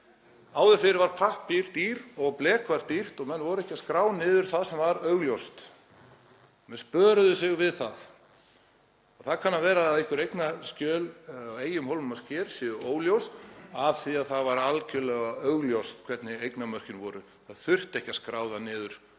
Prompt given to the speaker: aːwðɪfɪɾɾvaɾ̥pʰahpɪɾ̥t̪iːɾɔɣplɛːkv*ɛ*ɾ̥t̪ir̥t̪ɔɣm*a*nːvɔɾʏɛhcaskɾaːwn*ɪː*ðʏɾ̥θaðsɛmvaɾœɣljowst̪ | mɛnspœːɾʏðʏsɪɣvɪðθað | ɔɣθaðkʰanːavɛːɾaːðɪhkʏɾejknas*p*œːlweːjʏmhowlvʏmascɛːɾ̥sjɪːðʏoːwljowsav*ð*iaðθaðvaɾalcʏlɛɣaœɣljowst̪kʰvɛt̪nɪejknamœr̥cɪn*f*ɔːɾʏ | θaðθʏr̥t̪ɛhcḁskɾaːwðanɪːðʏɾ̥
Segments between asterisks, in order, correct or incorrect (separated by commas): incorrect, incorrect, correct, incorrect, incorrect, incorrect